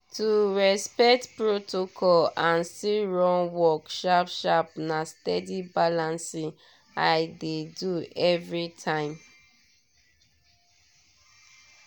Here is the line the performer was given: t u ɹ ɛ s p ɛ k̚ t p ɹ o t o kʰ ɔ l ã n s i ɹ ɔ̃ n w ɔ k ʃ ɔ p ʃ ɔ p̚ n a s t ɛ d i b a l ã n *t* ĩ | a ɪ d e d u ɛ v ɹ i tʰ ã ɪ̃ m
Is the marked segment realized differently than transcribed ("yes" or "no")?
yes